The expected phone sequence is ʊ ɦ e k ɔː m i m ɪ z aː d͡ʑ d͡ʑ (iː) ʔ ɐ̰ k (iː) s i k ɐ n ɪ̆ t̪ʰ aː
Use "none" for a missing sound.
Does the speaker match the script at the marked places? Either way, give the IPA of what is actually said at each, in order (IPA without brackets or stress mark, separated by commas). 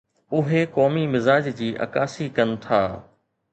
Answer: iː, aː